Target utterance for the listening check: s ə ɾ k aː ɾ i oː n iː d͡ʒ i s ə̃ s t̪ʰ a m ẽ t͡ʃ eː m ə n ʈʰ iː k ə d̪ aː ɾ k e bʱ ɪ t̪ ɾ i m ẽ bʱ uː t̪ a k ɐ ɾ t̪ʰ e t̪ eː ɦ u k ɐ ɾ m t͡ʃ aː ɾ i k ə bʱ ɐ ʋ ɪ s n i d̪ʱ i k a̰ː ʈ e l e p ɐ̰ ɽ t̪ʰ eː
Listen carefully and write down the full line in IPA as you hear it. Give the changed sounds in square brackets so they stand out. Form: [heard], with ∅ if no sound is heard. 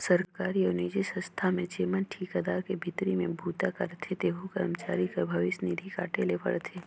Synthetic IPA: s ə ɾ k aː ɾ i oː n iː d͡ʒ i s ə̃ s t̪ʰ a m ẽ t͡ʃ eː m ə n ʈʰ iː k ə d̪ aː ɾ k e bʱ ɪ t̪ ɾ i m ẽ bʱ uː t̪ a k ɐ ɾ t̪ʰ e t̪ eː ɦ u k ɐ ɾ m t͡ʃ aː ɾ i k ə bʱ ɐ ʋ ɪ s n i d̪ʱ i k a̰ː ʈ e l e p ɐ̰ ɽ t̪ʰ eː